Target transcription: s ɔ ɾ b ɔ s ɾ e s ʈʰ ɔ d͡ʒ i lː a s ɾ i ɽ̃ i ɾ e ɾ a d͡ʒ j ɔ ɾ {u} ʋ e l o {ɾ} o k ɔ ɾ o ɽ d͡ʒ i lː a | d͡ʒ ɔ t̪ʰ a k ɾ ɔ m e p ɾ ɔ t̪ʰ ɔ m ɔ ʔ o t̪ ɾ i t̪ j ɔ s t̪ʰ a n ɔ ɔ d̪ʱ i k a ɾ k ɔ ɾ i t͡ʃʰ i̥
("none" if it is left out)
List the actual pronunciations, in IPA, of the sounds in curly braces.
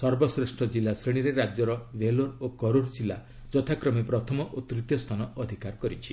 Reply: ɔ, ɾ

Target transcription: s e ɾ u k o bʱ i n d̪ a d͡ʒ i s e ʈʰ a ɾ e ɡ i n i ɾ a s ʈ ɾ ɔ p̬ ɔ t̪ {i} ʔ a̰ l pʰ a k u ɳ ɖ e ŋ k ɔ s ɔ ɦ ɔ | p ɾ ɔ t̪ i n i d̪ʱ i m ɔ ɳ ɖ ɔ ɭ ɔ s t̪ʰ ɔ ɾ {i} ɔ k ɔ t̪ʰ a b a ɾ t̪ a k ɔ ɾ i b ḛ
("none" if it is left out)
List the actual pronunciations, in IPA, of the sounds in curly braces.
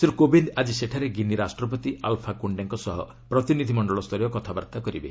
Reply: i, j

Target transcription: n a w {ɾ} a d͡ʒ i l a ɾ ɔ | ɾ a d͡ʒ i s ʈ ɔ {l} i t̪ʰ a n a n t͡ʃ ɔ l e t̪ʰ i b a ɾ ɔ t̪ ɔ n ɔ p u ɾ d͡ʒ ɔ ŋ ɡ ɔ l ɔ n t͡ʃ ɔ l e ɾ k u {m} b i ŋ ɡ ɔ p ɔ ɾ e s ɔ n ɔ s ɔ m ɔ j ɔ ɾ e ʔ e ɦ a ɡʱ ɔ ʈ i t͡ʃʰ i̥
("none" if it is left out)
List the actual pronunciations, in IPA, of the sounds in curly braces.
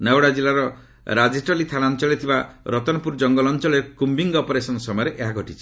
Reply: ɽ, l, m

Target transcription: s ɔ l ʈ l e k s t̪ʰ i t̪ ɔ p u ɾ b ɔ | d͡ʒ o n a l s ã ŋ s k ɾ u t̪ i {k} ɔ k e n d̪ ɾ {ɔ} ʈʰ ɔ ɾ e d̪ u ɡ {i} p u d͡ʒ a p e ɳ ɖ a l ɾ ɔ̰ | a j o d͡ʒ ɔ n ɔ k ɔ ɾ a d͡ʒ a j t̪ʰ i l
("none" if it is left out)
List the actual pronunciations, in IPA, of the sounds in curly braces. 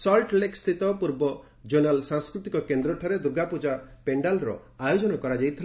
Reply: k, ɔ, a

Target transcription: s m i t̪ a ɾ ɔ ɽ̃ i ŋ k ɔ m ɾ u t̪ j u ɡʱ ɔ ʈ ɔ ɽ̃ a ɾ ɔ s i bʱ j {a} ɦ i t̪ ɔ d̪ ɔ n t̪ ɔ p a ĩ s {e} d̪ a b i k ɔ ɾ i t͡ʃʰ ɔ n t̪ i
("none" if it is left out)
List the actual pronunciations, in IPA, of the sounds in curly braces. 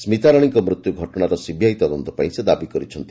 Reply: a, e

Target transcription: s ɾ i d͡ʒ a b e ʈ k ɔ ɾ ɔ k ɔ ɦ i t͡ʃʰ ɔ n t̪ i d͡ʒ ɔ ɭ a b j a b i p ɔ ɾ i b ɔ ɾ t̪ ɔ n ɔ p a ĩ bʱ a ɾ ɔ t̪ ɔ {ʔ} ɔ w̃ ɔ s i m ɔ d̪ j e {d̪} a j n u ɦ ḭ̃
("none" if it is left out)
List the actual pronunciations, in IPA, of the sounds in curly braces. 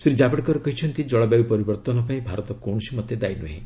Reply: k, d̪

